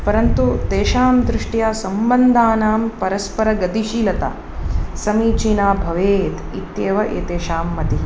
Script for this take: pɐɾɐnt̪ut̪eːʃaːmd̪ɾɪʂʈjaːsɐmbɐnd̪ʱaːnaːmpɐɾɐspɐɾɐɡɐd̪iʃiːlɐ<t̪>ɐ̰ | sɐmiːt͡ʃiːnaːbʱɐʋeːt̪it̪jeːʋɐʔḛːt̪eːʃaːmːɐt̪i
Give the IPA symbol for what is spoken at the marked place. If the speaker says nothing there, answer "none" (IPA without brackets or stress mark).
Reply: t̪